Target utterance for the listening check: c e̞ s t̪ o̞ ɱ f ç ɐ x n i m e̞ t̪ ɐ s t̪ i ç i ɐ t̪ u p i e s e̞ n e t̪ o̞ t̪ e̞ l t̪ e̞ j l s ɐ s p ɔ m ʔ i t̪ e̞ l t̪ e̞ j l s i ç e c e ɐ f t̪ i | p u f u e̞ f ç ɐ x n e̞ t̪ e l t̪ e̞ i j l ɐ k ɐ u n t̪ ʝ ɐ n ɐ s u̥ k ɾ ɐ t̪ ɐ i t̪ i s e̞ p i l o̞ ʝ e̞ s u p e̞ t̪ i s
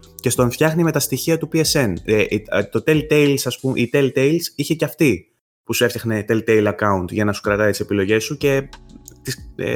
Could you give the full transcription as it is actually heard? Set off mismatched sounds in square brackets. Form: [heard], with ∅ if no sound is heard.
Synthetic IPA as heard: c e̞ s t̪ o̞ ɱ f ç ɐ x n i m e̞ t̪ ɐ s t̪ i ç i ɐ t̪ u p i e s e̞ n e t̪ o̞ t̪ e̞ l t̪ e̞ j l s ɐ s p [u] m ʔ i t̪ e̞ l t̪ e̞ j l s i ç e c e ɐ f t̪ i | p u [s] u e̞ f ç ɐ x n e̞ t̪ e l t̪ e̞ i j l ɐ k ɐ u n t̪ ʝ ɐ n ɐ s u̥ k ɾ ɐ t̪ ɐ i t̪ i s e̞ p i l o̞ ʝ e̞ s u [c] e̞ t̪ i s